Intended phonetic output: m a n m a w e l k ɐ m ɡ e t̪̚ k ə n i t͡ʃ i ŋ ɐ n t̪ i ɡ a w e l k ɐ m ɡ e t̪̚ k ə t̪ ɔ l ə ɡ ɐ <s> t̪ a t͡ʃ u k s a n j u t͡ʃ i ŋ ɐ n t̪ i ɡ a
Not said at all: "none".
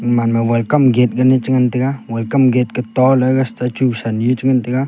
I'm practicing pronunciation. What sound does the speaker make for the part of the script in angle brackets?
s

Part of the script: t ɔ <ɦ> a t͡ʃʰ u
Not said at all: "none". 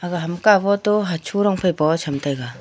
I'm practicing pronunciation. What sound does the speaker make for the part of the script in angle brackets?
ɦ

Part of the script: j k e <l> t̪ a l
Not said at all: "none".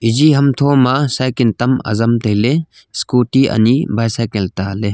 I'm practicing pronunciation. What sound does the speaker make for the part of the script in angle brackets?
l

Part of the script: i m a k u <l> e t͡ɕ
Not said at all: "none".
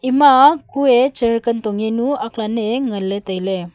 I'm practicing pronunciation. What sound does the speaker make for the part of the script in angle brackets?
none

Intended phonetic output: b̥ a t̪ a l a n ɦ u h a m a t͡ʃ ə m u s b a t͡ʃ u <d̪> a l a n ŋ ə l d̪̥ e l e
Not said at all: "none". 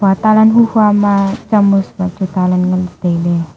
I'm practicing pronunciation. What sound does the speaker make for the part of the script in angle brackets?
t̪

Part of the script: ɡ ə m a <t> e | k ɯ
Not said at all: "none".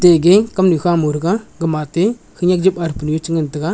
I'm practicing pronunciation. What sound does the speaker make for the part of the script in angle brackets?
t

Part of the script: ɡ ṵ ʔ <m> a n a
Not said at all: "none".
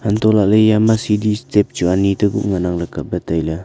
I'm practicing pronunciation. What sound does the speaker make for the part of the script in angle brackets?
ŋ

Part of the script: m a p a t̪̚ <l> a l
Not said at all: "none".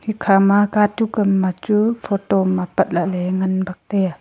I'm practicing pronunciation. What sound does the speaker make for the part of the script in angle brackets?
l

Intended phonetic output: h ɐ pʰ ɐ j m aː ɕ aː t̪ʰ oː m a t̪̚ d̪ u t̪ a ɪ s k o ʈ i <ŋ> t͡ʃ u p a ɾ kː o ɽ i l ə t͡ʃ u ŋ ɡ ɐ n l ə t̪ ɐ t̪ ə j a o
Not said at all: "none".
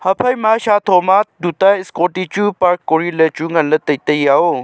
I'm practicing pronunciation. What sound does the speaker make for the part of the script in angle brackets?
none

